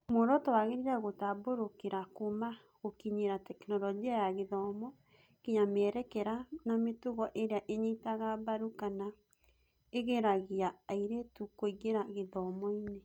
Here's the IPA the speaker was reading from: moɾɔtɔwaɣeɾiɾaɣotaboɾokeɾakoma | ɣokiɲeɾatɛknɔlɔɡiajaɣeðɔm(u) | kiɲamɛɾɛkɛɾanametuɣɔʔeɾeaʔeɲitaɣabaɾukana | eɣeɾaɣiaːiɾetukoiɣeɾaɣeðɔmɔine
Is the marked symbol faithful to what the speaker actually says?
no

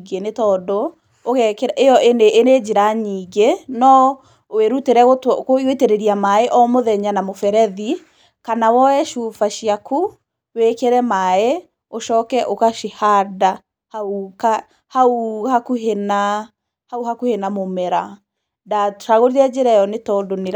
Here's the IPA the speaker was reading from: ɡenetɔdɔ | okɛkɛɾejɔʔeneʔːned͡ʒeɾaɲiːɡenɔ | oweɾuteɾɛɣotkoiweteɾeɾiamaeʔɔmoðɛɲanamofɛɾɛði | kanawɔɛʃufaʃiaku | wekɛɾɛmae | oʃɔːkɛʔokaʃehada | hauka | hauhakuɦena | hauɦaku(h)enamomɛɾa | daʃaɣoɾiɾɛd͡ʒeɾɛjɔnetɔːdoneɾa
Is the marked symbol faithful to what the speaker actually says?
yes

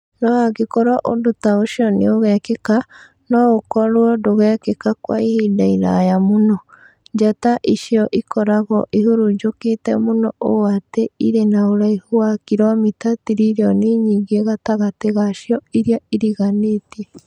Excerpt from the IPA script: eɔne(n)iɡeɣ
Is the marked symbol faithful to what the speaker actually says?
no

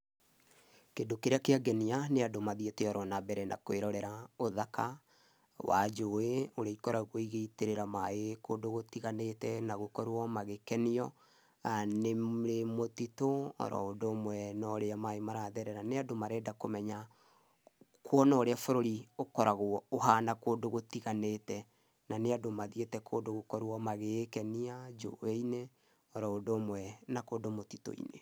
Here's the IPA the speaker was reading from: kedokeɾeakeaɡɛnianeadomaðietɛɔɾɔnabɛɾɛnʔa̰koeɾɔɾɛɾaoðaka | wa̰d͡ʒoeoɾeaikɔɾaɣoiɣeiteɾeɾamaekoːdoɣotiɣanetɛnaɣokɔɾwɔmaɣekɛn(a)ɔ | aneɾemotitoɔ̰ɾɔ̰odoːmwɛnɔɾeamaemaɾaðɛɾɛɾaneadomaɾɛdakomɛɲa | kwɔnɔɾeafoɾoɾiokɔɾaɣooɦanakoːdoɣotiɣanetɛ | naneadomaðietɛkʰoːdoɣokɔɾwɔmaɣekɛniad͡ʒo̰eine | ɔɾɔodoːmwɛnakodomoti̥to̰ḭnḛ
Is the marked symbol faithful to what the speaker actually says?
no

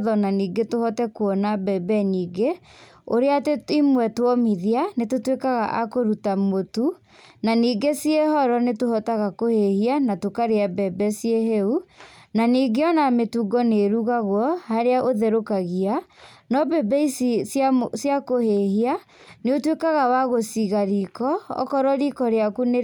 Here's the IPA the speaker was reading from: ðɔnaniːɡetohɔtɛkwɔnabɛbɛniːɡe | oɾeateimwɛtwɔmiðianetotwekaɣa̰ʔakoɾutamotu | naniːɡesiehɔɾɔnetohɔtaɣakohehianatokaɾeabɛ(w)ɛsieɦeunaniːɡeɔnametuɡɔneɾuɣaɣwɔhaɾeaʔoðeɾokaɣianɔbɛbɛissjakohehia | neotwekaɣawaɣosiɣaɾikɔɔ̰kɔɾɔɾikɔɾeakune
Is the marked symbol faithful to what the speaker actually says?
no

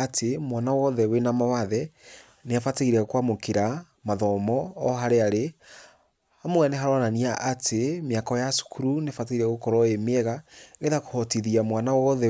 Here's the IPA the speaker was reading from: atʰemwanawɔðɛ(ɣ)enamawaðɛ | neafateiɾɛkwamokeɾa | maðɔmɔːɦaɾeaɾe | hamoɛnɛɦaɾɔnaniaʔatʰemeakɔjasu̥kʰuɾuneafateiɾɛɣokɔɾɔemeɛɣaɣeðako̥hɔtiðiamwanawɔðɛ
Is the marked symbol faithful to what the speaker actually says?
no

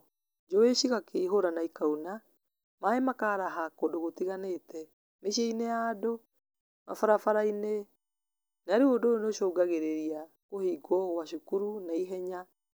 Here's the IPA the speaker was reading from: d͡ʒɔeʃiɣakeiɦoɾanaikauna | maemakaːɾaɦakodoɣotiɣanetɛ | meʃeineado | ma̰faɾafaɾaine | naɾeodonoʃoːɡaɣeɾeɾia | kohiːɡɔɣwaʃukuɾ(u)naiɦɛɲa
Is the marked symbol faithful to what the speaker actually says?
yes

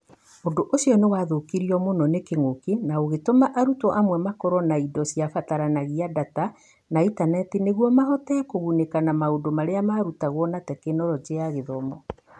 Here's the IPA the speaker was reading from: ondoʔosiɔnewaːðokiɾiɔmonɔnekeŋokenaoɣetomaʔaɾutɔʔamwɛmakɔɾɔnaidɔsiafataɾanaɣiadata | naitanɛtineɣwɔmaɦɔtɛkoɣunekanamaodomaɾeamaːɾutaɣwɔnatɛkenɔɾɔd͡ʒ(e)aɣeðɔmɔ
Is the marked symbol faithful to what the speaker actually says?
yes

